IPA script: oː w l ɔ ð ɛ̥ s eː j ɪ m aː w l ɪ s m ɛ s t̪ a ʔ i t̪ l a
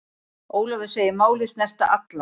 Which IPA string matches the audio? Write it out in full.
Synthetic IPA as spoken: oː w l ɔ v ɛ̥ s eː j ɪ m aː w l ɪ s n ɛ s t̪ a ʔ a t̪ l a